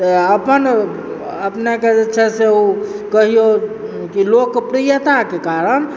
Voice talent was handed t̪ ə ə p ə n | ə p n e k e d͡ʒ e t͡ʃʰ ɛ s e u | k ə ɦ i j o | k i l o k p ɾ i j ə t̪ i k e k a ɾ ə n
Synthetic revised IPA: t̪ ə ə p ə n | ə p n e k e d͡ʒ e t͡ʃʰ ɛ s e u | k ə ɦ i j o | k i l o k p ɾ i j ə t̪ a k e k a ɾ ə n